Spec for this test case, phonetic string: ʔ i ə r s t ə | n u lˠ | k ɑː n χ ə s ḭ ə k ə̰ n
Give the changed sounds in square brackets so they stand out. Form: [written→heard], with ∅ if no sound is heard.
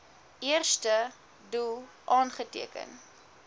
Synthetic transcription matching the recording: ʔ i ə r s t ə | [n→d] u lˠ | [k→ʔ] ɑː n χ ə [s→t] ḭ ə k ə̰ n